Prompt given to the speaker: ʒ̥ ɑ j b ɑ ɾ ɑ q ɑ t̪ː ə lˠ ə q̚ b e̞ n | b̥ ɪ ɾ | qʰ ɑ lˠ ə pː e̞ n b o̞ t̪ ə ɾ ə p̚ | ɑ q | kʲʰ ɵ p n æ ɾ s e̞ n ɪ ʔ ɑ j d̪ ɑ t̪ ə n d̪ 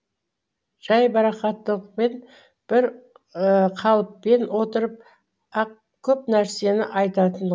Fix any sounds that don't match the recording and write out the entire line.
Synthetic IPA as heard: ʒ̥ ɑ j b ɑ ɾ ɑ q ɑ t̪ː ə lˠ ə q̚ p e̞ n | b̥ ɪ ɾ | qʰ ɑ lˠ ə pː e̞ n w o̞ t̪ ə ɾ ə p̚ | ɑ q | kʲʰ ɵ p n æ ɾ s e̞ n ɪ ʔ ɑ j t̪ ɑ t̪ ə n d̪